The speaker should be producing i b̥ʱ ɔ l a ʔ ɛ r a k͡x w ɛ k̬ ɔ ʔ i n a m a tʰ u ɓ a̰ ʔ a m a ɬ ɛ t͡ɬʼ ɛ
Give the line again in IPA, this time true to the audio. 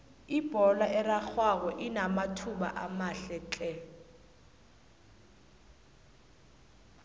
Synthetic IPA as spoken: i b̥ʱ ɔ l a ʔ ɛ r a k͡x w a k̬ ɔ ʔ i n a m a tʰ u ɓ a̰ ʔ a m a ɬ ɛ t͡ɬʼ ɛ